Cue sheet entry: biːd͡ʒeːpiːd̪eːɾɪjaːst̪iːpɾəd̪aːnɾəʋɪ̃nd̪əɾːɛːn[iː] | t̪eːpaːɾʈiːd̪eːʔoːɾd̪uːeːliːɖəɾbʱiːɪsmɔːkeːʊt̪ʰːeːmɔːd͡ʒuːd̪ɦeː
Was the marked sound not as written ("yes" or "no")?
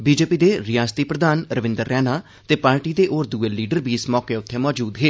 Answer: yes